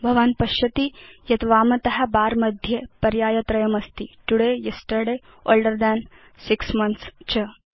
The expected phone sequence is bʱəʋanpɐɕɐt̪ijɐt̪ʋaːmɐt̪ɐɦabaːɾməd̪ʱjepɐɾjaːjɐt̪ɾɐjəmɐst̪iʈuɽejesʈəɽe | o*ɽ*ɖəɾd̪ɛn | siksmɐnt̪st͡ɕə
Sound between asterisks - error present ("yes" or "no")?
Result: yes